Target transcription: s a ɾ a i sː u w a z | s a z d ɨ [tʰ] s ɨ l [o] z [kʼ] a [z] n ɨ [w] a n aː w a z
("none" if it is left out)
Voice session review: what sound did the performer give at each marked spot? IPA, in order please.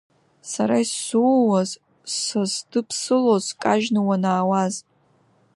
pʰ, o, kʼ, ʒ, w

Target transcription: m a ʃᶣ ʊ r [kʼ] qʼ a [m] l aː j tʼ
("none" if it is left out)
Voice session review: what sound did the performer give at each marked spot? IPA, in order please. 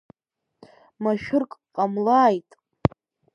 kʼ, m

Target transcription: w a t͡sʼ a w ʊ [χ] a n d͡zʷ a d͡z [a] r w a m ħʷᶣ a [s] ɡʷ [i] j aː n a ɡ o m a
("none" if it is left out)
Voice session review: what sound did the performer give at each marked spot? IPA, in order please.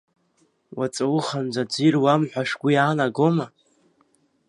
χ, i, ʂ, i

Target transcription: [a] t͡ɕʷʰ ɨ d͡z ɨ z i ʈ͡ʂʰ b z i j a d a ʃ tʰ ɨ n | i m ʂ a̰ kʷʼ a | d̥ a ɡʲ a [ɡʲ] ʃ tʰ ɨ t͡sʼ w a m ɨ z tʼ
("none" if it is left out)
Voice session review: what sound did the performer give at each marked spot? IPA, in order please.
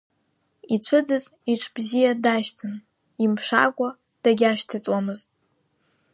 i, none

